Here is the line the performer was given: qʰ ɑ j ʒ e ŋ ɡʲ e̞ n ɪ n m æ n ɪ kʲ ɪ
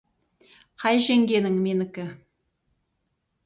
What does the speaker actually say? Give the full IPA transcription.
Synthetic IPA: qʰ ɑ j ʒ e ŋ ɡʲ e̞ n ɪ ŋ m e n ɪ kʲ ɪ